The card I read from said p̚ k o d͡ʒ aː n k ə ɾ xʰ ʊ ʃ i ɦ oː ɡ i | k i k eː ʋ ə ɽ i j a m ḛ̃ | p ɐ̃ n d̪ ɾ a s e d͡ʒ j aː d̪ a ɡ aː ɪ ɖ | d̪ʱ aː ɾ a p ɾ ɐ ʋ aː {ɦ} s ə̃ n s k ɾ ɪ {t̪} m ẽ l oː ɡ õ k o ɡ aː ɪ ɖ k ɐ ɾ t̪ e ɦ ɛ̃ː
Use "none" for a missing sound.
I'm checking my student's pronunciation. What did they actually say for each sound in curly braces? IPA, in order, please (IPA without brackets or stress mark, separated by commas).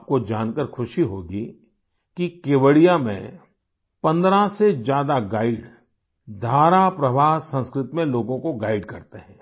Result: ɦ, t̪